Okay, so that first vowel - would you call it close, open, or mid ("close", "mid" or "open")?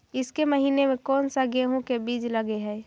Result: close